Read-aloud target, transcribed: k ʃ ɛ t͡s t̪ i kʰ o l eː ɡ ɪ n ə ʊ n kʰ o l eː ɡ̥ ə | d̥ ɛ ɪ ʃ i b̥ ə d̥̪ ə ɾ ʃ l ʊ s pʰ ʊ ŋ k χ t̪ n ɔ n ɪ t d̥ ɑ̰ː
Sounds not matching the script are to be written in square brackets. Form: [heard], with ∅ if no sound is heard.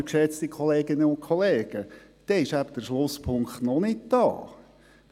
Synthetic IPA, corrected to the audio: k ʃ ɛ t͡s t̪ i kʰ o l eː ɡ ɪ n ə ʊ n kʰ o l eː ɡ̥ ə | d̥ ɛ ɪ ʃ [æ] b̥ ə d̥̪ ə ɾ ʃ l ʊ s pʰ ʊ ŋ k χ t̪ n ɔ n ɪ t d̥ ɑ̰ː

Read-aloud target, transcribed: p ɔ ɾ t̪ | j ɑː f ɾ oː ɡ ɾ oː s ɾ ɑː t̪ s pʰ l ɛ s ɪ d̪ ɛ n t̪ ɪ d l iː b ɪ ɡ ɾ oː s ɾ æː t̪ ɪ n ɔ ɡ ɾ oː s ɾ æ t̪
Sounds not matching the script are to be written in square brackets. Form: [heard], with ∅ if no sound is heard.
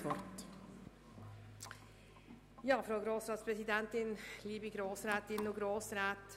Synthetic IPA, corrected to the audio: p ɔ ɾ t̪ | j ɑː f ɾ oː ɡ ɾ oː s ɾ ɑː t̪ s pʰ [ɾ] ɛ s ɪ d̪ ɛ n t̪ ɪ [n] l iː b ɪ ɡ ɾ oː s ɾ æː t̪ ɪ n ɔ ɡ ɾ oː s ɾ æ t̪

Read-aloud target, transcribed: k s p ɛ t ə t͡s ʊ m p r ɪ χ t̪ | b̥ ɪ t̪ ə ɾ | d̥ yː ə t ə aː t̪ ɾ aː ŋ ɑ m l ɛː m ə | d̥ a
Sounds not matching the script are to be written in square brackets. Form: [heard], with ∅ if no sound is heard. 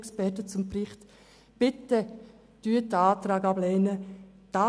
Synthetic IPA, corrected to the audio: k s p ɛ t ə t͡s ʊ m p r ɪ χ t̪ | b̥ ɪ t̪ ə [∅] | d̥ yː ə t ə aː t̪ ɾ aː [ɡ] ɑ [b] l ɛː [n] ə | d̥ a

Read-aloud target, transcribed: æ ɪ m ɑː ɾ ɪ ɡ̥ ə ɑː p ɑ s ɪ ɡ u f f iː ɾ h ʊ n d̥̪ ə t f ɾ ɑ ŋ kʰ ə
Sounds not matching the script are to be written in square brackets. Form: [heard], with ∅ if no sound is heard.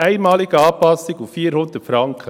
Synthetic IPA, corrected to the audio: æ ɪ m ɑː [l] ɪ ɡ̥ ə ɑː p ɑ s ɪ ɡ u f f iː ɾ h ʊ n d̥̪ ə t f ɾ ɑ ŋ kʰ ə

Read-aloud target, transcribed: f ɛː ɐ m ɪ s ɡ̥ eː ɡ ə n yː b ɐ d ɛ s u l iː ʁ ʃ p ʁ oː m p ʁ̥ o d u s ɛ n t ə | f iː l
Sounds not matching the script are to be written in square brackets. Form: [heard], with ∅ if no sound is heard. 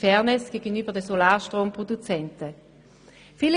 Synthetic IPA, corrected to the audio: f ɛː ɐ [n] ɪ s ɡ̥ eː ɡ ə n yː b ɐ d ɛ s [o] l [aː] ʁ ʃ [t] ʁ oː m p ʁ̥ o d u [t͡s] ɛ n t ə | f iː l

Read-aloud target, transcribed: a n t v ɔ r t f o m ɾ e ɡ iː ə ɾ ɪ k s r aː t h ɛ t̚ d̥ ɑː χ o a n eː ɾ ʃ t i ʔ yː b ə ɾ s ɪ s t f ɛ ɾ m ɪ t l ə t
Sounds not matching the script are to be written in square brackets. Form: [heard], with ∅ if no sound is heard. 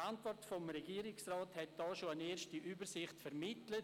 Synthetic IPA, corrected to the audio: a n t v ɔ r t f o m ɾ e ɡ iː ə ɾ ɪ k s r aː t h ɛ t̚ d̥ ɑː [ʃ] o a n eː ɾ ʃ t i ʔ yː b ə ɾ s ɪ [χ] t f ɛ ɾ m ɪ t l ə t

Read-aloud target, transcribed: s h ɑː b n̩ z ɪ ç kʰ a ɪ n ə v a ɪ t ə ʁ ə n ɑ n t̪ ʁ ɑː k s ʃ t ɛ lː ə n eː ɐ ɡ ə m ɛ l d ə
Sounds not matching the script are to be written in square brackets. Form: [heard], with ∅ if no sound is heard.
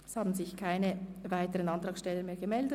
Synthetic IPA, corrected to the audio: s h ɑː b n̩ z ɪ ç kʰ a ɪ n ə v a ɪ t ə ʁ ə n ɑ n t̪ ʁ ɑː k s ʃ t ɛ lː ə [m] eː ɐ ɡ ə m ɛ l d ə

